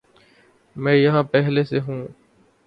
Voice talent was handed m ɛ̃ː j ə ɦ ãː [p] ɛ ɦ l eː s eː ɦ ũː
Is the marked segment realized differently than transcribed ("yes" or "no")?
no